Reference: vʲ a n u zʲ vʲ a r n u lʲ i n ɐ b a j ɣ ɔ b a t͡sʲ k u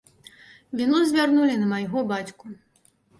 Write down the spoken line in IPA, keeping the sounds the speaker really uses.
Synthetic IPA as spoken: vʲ i n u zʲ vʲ a r n u lʲ i n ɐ m a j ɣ ɔ b a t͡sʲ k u